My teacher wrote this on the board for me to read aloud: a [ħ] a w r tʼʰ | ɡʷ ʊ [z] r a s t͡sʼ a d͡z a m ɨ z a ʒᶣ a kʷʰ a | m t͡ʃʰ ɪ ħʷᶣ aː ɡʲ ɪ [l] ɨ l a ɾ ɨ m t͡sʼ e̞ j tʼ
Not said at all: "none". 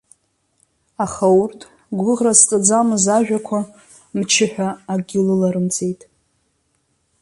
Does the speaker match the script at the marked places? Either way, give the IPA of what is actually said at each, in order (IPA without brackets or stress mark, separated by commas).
χ, ʁ, l